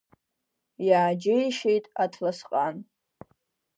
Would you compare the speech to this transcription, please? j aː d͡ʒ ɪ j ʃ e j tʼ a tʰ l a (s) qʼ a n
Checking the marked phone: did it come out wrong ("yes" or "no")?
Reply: no